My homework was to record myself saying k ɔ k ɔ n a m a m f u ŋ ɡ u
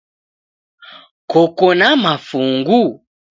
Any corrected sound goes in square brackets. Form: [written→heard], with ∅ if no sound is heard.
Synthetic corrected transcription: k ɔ k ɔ n a m a [m→∅] f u ŋ ɡ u